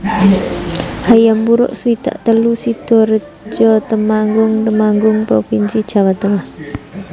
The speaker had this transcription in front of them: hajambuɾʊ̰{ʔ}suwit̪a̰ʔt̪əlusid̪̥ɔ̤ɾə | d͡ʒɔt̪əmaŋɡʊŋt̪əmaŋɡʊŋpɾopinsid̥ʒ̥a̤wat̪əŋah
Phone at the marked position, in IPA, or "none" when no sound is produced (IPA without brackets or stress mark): ʔ